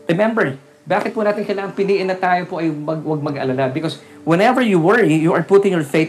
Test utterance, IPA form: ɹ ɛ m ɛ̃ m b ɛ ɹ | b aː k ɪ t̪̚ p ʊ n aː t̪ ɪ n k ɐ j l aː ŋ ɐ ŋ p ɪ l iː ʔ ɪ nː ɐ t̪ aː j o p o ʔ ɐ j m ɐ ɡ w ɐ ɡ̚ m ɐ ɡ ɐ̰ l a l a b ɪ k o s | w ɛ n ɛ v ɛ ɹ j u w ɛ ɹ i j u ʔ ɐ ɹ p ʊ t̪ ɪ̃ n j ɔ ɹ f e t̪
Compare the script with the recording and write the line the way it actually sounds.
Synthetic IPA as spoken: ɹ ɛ m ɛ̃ m b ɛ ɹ | b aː k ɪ t̪̚ p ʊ n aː t̪ ɪ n k ɐ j l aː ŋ ɐ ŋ p ɪ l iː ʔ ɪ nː ɐ t̪ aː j o p o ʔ ɐ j m ɐ ɡ w ɐ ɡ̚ m ɐ ɡ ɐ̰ l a l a b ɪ k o s | w ɛ n ɛ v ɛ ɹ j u w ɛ ɹ i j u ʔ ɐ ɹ p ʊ t̪ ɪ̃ ŋ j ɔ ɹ f e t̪